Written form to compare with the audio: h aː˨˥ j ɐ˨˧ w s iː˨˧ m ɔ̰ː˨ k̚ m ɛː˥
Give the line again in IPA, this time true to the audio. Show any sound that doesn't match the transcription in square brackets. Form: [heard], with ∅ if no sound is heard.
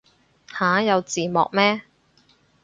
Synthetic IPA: h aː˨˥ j ɐ˨˧ w [t͡s] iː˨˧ m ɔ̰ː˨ k̚ m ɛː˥